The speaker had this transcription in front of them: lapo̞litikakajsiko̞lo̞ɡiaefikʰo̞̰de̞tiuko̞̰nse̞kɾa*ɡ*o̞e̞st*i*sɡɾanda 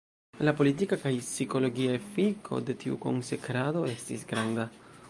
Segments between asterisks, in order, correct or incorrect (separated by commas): incorrect, correct